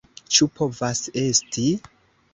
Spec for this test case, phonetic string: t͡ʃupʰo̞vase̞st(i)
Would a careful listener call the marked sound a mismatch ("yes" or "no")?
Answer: no